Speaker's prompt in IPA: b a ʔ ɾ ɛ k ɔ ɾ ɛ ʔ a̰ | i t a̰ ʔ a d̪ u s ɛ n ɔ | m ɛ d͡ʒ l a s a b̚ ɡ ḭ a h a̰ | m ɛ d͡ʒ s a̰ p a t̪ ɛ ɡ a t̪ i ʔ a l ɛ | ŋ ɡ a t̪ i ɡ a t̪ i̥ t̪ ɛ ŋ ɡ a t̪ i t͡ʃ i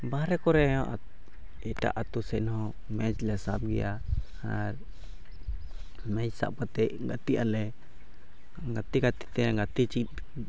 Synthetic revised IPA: b a ɾ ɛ k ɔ ɾ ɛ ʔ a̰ | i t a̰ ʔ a t̪ u s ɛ n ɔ | m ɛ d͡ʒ l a s a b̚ ɡ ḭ a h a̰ | m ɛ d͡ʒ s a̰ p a t̪ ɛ ɡ a t̪ i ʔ a l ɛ | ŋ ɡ a t̪ i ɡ a t̪ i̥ t̪ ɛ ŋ ɡ a t̪ i t͡ʃ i